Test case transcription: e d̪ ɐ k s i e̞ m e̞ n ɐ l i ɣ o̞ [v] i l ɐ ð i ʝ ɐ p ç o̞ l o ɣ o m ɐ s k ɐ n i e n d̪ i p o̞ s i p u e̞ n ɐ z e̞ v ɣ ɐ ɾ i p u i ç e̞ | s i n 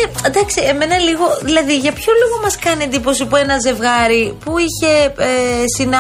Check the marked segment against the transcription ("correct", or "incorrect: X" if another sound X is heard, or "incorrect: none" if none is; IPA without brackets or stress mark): incorrect: ð